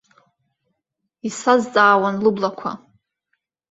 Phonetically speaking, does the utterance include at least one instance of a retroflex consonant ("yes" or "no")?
no